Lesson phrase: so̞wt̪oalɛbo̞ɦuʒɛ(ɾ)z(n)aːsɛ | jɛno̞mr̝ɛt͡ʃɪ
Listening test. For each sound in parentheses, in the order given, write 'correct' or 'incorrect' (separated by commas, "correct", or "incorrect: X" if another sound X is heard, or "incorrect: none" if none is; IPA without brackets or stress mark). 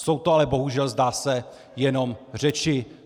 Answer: incorrect: l, incorrect: d